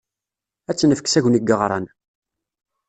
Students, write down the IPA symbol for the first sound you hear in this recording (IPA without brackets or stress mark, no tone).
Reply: æ